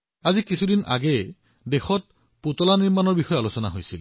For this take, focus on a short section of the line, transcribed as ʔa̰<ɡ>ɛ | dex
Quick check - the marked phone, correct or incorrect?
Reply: correct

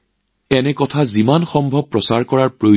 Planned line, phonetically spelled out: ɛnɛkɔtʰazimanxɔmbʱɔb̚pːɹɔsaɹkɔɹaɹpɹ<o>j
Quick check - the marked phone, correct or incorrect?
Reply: correct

